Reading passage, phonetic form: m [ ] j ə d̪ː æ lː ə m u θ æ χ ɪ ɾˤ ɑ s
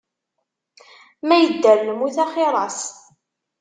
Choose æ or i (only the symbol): æ